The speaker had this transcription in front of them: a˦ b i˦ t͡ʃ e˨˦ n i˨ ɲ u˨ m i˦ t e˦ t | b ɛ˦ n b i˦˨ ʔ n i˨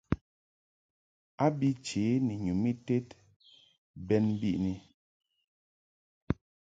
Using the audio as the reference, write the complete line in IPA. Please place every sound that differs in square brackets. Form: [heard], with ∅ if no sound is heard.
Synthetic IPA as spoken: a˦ b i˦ t͡ʃ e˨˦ n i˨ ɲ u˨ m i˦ t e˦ t | b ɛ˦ n b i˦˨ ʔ n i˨